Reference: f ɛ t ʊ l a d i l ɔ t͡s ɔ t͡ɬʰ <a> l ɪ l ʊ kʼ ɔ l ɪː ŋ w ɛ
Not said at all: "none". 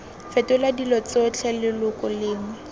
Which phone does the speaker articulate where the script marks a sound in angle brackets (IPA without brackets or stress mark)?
ɛ